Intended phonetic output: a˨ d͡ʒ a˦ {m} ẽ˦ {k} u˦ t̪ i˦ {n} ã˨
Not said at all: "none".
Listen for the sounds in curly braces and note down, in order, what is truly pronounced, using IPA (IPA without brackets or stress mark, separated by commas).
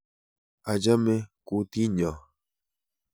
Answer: m, k, ɲ